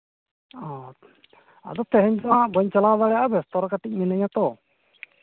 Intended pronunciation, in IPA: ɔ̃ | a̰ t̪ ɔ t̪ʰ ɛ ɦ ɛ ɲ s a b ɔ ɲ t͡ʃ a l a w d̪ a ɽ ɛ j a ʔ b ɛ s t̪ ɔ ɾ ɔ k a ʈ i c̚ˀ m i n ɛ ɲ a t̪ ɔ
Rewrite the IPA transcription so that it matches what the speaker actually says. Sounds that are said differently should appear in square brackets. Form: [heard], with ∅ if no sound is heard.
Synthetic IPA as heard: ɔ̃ | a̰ [d̪] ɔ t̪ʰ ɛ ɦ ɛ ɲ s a b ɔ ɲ t͡ʃ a l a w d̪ a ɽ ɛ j a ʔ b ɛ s t̪ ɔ ɾ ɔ k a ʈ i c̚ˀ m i n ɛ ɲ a t̪ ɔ